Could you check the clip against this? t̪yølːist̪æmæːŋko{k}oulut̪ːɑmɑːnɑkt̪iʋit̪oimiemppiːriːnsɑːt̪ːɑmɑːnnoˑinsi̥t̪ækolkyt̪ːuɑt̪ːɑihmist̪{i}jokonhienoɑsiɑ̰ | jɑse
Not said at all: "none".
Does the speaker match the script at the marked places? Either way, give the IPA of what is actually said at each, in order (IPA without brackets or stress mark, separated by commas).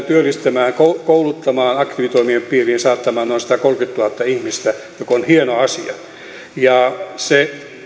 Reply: k, æ